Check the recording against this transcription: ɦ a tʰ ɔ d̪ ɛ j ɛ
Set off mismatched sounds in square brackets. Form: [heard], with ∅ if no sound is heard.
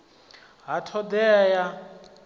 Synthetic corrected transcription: ɦ a tʰ ɔ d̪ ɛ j [a]